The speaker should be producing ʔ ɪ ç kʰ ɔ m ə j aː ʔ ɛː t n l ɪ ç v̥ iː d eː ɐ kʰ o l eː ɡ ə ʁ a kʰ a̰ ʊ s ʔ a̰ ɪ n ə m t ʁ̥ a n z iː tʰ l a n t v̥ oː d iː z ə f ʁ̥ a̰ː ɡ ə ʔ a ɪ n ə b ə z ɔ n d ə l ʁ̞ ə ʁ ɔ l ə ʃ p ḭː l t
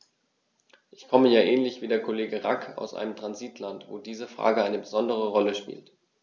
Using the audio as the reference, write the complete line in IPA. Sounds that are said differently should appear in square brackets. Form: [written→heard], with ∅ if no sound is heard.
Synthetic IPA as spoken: ʔ ɪ ç kʰ ɔ m ə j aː ʔ ɛː [t→∅] n l ɪ ç v̥ iː d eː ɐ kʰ o l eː ɡ ə ʁ a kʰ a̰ ʊ s ʔ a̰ ɪ n ə m t ʁ̥ a n z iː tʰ l a n t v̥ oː d iː z ə f ʁ̥ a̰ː ɡ ə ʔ a ɪ n ə b ə z ɔ n d ə [l→∅] ʁ̞ ə ʁ ɔ l ə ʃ p ḭː l t